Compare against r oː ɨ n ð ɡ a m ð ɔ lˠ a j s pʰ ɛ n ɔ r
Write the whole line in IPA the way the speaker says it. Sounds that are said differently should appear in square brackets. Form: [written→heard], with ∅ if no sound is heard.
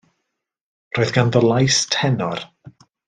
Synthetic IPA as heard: r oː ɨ [n→∅] ð ɡ a [m→n] ð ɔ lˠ a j s [pʰ→tʰ] ɛ n ɔ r